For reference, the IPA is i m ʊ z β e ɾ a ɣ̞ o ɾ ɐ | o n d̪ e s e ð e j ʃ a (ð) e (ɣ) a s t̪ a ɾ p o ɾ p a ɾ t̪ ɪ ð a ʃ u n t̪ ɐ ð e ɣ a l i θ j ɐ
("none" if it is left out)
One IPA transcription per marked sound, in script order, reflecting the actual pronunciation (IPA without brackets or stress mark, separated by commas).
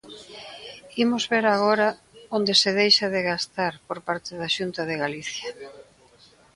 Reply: ð, ɣ